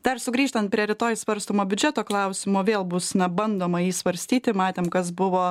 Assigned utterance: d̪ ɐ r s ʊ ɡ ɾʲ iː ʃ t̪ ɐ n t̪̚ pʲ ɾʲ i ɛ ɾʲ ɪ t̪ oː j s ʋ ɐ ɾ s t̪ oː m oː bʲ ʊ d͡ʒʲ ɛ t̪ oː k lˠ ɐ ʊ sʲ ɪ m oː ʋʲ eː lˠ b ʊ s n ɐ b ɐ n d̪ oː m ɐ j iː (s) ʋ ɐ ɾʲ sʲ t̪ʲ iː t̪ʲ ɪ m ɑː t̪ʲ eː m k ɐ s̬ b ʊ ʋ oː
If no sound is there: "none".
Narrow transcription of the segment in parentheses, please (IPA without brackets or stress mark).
s